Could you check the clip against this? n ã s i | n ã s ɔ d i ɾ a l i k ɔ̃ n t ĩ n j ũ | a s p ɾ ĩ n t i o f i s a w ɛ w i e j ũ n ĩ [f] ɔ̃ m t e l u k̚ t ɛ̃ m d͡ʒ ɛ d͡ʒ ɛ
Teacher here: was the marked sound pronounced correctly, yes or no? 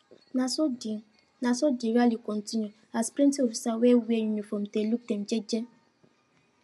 yes